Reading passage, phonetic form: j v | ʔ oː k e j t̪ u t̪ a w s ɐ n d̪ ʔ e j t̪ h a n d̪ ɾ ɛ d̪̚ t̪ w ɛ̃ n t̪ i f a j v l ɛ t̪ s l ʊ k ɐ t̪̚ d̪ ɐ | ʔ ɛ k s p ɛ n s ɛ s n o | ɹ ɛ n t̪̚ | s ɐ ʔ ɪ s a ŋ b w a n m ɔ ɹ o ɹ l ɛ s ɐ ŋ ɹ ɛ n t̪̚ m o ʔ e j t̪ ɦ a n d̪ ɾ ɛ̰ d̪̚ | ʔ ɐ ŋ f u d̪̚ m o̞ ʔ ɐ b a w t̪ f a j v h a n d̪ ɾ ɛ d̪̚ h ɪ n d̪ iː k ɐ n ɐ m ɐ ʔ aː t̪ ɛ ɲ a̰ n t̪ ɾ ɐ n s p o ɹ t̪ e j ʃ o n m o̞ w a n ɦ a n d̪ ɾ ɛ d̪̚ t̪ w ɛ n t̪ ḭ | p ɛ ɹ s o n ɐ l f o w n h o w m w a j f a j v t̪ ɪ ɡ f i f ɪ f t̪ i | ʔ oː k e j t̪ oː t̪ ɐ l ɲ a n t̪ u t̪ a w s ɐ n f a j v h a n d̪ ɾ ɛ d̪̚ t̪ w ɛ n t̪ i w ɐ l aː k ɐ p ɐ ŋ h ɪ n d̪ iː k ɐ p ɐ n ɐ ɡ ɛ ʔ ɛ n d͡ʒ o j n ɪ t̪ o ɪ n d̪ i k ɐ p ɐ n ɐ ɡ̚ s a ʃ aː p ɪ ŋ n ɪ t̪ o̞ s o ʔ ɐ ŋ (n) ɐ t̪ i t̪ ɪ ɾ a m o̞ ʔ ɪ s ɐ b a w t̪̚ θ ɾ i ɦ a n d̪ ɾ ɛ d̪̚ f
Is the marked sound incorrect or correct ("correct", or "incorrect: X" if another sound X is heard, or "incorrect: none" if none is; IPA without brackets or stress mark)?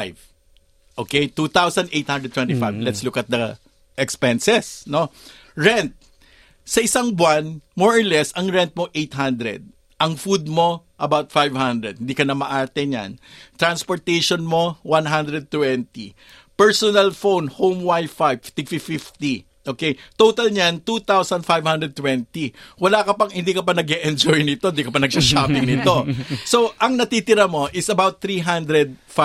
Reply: correct